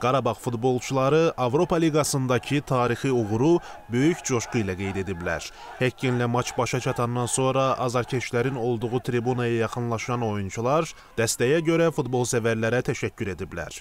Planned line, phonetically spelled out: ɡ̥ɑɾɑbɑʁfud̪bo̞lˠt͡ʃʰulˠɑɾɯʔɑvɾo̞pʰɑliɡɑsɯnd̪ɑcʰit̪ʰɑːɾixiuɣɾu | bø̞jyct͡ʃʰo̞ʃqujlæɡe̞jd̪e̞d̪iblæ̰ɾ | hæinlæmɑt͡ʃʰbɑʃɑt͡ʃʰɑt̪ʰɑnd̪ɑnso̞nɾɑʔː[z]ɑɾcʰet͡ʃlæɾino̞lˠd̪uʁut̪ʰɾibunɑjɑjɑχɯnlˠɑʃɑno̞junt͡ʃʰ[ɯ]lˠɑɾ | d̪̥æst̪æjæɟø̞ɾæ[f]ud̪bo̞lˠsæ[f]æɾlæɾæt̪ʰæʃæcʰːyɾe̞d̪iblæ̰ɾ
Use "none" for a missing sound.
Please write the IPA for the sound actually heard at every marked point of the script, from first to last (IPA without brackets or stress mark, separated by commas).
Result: z, u, f, v